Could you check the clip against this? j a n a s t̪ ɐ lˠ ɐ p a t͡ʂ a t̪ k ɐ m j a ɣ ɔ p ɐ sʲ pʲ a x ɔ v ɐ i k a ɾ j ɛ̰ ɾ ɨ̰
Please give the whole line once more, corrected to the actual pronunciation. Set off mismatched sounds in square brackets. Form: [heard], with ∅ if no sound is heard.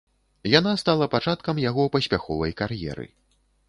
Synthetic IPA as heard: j a n a s t̪ [a] lˠ ɐ p a t͡ʂ a t̪ k ɐ m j a ɣ ɔ p ɐ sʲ pʲ a x ɔ v ɐ [j] k a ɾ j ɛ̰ ɾ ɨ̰